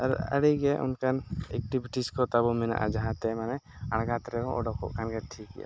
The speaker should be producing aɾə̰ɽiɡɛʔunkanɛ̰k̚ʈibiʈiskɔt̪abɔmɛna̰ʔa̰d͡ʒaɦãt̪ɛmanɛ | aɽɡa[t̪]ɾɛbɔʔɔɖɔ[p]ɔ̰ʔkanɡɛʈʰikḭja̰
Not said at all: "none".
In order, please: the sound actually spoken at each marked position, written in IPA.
t̪, k

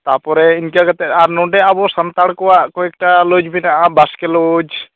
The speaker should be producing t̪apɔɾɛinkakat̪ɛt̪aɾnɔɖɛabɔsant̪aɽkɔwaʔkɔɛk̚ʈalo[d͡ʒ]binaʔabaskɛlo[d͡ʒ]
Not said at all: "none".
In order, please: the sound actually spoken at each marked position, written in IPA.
d͡ʒ, d͡ʒ

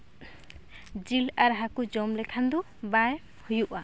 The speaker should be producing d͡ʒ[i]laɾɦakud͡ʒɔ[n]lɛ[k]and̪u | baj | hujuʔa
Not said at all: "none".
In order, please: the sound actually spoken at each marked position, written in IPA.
i, m, kʰ

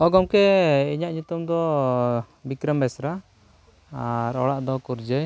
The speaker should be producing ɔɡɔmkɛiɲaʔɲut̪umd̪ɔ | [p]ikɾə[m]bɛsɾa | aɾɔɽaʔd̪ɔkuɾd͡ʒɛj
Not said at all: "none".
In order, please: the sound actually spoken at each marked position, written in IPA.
b, m

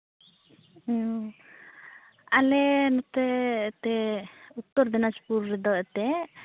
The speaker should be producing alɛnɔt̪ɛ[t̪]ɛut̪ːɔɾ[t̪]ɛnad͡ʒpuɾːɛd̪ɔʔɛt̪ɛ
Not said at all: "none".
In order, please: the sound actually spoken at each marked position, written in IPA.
t̪, d̪

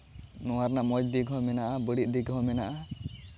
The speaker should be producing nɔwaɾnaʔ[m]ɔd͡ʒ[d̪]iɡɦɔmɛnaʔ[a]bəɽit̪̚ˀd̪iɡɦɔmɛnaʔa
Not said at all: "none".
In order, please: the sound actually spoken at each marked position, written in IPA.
m, d̪, a

